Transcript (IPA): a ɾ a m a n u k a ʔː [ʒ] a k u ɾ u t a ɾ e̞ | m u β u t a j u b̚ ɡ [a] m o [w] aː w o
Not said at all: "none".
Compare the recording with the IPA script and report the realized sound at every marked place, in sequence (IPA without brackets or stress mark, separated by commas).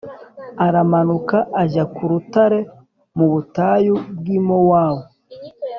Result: ʒ, i, w